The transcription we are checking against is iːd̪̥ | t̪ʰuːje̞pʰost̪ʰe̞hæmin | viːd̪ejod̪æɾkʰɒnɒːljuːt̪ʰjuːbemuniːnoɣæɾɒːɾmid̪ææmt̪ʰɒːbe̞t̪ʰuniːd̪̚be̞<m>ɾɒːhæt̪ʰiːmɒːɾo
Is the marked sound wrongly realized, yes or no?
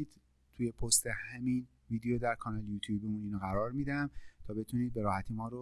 yes